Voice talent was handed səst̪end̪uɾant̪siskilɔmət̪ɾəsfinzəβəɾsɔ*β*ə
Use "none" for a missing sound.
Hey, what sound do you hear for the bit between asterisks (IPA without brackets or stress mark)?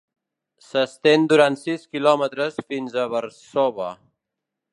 β